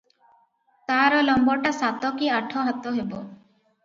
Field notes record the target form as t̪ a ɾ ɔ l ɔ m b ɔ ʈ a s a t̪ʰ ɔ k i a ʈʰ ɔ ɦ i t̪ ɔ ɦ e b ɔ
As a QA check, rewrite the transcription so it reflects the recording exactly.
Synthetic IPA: t̪ a ɾ ɔ l ɔ m b ɔ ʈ a s a t̪ ɔ k i a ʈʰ ɔ ɦ a t̪ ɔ ɦ e b ɔ